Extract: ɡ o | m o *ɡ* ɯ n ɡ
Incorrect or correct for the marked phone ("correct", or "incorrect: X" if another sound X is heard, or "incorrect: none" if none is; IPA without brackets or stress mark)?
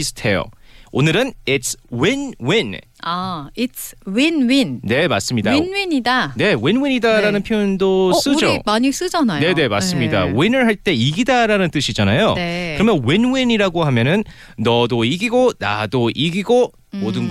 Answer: incorrect: d